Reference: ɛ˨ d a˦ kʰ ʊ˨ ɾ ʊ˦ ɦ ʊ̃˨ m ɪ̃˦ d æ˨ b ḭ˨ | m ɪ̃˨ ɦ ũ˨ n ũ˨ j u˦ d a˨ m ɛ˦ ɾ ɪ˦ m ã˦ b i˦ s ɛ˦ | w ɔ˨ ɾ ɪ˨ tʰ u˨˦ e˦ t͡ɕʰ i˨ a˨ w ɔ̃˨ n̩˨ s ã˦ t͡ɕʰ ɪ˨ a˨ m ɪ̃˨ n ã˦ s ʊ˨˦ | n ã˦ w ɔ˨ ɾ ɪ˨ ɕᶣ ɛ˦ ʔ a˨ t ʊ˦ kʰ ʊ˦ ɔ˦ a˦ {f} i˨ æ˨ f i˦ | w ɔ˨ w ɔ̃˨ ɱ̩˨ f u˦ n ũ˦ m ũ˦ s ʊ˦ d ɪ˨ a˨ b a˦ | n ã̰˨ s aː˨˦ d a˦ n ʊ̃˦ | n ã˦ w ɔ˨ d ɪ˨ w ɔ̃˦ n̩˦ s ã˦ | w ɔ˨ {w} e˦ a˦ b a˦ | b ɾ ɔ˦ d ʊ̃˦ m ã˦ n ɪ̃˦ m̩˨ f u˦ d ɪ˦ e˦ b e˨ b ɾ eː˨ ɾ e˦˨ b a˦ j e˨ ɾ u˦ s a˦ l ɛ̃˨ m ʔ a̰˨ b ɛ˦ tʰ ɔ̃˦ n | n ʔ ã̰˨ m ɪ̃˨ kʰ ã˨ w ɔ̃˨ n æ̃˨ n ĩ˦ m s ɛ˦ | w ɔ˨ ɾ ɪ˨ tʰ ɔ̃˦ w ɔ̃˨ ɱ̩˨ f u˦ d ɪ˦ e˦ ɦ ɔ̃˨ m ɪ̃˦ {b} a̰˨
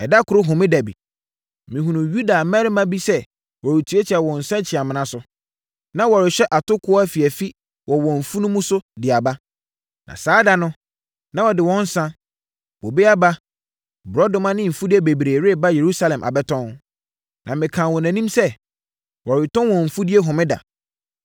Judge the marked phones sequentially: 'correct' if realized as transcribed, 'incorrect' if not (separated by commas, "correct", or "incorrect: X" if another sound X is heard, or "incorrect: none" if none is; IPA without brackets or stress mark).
correct, incorrect: b, incorrect: d